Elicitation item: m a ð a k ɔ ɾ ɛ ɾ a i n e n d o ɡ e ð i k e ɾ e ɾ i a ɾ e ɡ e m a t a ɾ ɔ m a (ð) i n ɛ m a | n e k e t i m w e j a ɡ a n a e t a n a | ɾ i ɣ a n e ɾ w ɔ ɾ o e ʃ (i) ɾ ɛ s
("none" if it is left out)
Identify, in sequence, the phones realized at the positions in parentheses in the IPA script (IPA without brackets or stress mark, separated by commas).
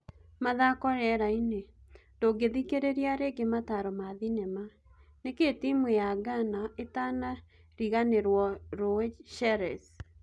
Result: ð, ɛ